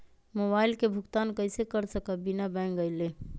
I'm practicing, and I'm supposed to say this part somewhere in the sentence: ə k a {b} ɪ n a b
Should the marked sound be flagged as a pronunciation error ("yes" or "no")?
no